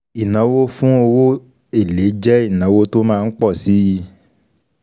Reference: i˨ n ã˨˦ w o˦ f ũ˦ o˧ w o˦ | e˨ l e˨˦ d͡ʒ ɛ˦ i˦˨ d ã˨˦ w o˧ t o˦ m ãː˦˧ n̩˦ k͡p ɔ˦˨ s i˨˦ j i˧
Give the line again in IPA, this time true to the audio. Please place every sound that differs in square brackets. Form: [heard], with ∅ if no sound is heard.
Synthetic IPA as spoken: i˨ n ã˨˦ w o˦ f ũ˦ o˧ w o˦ | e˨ l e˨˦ d͡ʒ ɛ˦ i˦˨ [n] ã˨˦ w o˧ t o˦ m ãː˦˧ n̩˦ k͡p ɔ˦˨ s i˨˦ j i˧